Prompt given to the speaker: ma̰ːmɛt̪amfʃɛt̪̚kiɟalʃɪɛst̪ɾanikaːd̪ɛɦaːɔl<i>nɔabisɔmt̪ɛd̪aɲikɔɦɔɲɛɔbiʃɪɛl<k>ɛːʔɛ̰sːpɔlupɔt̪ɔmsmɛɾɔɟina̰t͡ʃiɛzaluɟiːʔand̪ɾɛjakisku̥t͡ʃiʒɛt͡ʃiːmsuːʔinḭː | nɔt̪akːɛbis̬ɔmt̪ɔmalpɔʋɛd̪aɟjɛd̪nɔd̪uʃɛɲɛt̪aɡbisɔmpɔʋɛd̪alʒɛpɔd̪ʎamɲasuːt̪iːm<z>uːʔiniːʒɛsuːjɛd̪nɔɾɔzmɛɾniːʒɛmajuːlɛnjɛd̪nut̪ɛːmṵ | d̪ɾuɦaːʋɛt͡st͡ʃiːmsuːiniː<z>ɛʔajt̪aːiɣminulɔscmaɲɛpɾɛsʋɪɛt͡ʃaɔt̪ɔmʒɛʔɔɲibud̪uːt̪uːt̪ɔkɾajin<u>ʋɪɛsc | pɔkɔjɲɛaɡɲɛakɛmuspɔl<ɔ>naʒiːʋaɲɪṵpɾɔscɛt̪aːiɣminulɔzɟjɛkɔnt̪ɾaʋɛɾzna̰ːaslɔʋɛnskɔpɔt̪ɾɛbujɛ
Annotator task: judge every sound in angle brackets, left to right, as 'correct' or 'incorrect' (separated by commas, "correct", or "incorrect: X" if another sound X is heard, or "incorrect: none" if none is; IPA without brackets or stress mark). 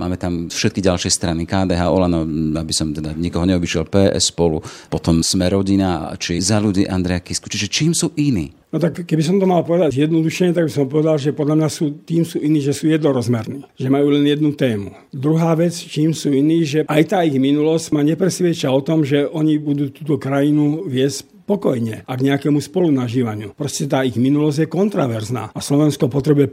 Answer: incorrect: a, incorrect: p, incorrect: s, incorrect: ʒ, correct, incorrect: u